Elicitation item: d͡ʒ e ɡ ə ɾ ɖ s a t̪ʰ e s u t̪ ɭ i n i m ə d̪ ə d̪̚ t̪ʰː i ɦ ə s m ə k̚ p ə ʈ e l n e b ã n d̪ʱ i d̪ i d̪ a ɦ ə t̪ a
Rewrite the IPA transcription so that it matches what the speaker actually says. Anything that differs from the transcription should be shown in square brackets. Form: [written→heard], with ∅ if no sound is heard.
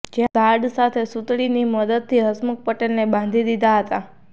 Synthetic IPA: d͡ʒ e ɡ [ə→a] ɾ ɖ s a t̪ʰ e s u t̪ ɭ i n i m ə d̪ ə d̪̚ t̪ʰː i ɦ ə s m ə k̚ p ə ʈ e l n e b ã n d̪ʱ i d̪ i d̪ a ɦ ə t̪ a